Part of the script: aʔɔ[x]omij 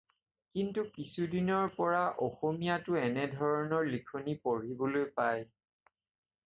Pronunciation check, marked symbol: correct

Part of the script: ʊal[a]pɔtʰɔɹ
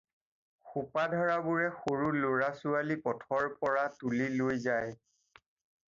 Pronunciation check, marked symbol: incorrect: i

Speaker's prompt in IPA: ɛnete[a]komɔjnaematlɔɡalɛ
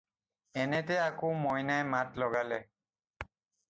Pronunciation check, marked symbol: correct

